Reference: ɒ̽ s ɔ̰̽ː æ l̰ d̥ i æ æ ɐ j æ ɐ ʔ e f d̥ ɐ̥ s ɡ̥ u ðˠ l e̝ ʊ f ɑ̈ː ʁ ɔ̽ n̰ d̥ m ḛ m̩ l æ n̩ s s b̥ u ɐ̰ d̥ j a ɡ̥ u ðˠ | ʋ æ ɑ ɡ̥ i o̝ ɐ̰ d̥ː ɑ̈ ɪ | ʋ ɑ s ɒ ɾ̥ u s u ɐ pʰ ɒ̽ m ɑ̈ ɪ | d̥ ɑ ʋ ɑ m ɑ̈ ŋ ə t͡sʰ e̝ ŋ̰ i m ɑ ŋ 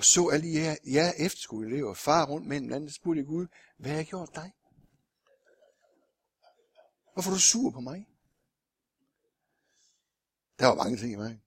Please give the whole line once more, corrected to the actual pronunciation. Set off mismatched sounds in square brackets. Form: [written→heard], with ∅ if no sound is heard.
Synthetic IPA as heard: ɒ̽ s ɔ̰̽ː æ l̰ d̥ i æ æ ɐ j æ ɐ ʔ e f d̥ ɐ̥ s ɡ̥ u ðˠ l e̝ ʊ f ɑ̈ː ʁ ɔ̽ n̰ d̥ m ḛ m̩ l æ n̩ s s b̥ u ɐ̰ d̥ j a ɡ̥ u ðˠ | ʋ æ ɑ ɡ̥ [i→j] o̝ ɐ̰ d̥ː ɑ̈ ɪ | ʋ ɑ [s→f] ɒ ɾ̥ u s u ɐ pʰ ɒ̽ m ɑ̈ ɪ | d̥ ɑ ʋ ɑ m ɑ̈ ŋ ə t͡sʰ e̝ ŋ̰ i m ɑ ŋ